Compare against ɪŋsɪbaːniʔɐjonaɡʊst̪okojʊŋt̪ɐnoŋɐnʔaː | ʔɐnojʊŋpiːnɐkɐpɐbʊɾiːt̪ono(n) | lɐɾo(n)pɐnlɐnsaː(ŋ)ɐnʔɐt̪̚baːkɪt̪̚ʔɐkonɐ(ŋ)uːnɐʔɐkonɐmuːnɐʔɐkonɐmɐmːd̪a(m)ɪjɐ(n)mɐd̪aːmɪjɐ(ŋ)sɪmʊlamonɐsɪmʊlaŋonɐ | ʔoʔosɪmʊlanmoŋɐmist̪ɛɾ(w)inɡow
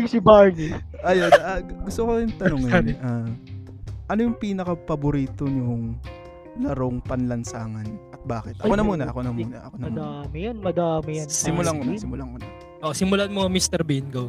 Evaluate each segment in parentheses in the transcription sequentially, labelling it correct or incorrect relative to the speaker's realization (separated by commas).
incorrect, incorrect, correct, incorrect, correct, correct, incorrect, incorrect